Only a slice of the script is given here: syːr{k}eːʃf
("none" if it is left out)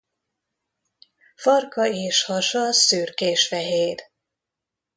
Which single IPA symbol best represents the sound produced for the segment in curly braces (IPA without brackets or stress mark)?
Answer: k